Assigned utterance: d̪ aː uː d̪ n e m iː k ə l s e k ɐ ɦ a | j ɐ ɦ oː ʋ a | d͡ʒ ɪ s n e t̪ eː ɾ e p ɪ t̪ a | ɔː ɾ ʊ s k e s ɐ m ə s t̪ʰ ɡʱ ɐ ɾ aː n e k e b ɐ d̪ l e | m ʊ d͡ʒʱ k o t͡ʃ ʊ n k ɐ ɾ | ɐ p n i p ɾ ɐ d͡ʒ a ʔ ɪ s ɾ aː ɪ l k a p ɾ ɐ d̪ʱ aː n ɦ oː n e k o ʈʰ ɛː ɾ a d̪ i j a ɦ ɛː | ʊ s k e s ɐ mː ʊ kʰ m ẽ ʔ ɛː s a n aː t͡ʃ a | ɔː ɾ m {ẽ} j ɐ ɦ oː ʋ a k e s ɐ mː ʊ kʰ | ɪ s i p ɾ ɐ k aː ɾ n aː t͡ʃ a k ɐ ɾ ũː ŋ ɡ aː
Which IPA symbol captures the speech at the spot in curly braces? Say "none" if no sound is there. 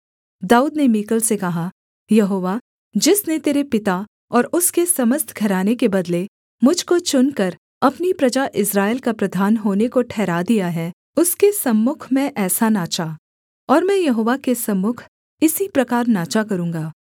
ɛ̃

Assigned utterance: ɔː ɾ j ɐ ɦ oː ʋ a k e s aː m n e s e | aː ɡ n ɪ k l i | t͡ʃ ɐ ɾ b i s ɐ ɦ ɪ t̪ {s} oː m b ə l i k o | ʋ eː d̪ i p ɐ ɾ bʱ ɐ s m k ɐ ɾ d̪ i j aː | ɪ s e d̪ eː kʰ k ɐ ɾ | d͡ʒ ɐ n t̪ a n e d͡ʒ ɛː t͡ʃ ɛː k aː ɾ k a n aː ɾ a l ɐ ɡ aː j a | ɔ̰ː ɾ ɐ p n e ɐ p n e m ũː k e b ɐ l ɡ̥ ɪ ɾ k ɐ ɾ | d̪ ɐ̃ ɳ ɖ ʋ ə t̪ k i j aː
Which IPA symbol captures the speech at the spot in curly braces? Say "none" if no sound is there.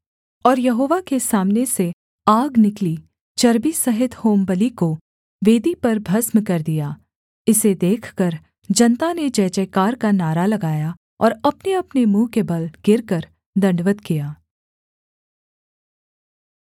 h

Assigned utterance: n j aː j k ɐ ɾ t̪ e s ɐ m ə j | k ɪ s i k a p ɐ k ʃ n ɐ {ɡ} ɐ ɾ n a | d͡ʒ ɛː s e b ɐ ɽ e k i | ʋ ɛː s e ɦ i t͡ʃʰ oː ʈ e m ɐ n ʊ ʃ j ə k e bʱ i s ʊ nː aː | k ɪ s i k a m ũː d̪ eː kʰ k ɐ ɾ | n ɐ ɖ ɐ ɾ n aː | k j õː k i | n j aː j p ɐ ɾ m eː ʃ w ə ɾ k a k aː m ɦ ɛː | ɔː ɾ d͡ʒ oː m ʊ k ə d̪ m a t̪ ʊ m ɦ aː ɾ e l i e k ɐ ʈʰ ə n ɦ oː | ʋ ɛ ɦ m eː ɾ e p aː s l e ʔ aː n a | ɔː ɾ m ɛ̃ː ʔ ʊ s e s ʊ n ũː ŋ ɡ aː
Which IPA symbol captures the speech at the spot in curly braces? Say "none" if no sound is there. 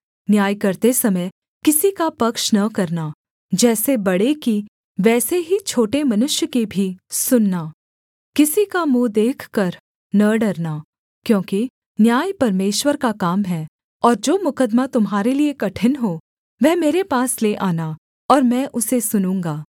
k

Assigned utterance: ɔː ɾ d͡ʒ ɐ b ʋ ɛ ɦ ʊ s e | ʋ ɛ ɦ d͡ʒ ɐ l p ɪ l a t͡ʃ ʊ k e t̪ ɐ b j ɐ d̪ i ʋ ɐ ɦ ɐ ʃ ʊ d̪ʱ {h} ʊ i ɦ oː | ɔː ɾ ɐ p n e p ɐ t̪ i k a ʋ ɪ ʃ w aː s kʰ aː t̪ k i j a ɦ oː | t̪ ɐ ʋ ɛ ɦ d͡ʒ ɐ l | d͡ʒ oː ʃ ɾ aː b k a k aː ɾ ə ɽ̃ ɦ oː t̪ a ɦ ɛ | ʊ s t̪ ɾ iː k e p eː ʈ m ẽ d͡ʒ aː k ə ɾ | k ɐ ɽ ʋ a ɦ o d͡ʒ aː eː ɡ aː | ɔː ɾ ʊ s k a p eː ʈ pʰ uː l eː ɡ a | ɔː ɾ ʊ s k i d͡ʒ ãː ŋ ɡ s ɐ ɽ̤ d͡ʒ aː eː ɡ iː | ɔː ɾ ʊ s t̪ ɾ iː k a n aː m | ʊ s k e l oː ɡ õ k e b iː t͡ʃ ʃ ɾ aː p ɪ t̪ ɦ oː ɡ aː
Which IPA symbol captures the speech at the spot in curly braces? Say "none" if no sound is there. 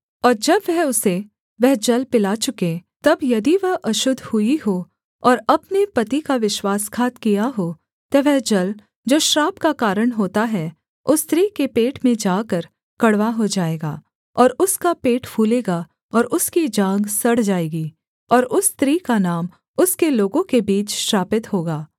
h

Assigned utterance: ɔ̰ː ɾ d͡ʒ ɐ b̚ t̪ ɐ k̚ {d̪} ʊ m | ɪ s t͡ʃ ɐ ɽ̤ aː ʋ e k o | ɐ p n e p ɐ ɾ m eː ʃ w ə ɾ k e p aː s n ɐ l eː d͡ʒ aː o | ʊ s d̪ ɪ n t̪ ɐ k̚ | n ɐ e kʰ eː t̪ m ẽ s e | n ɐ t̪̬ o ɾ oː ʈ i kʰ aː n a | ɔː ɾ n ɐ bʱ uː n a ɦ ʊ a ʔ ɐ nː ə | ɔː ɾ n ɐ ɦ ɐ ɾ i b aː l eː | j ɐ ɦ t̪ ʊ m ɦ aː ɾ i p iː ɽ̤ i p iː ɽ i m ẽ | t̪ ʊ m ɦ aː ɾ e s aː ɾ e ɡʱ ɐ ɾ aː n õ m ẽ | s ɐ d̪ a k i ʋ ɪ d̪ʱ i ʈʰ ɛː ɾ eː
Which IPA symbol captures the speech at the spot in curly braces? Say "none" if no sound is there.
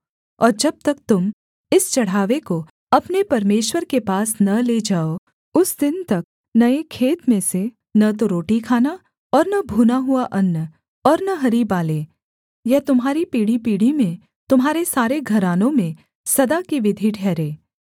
t̪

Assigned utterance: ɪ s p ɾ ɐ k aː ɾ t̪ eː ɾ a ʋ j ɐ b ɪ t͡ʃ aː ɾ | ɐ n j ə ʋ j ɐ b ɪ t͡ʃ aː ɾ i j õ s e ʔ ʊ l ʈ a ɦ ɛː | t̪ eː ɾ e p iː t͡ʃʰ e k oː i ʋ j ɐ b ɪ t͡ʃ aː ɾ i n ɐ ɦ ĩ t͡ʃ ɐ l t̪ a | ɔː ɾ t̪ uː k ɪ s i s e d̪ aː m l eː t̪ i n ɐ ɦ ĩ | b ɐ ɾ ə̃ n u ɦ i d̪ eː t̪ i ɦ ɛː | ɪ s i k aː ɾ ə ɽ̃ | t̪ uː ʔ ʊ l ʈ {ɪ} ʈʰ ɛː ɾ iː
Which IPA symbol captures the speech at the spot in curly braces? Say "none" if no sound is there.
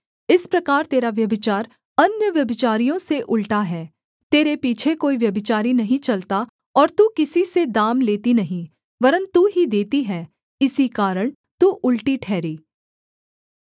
i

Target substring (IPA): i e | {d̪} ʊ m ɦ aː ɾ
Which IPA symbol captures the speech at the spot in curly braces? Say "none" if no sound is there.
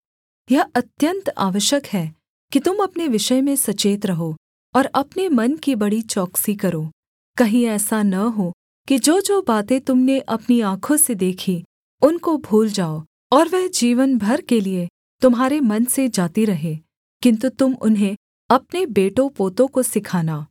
t̪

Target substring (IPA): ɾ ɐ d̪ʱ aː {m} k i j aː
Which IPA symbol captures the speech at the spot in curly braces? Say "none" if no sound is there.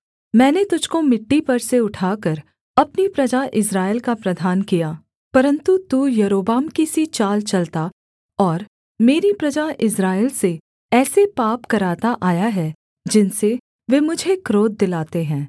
n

